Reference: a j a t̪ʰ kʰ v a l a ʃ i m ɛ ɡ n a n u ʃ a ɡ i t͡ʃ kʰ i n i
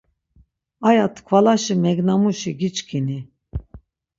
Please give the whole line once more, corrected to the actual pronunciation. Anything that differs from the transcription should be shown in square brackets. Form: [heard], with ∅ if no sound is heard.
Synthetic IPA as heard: a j a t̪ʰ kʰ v a l a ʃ i m ɛ ɡ n a [m] u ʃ [i] ɡ i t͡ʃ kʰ i n i